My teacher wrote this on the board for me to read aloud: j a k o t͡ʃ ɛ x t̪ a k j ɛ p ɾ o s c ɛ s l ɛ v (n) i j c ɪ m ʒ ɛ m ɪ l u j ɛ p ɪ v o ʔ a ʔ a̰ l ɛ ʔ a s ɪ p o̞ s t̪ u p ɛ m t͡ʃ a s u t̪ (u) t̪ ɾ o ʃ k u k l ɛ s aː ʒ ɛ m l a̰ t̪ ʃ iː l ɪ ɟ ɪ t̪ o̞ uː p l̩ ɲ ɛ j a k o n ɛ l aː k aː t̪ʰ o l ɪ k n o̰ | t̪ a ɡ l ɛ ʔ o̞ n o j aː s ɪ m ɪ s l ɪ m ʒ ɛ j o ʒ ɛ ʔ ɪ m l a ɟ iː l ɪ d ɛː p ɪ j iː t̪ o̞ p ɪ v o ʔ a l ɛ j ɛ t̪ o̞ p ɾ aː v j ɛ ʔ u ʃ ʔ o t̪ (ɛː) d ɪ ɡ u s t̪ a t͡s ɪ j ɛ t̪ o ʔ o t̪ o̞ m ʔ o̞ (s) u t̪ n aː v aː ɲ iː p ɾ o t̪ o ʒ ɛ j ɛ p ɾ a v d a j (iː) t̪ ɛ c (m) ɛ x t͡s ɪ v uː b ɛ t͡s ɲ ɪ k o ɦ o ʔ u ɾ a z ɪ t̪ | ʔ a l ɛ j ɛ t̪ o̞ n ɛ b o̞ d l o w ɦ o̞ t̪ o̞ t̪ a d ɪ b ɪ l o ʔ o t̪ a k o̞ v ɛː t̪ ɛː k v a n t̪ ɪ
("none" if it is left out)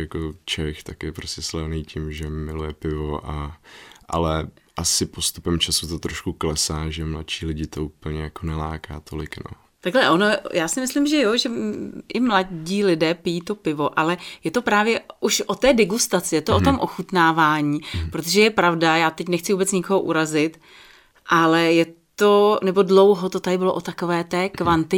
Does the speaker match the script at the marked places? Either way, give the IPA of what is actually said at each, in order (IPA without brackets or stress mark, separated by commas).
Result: n, o, ɛː, x, aː, n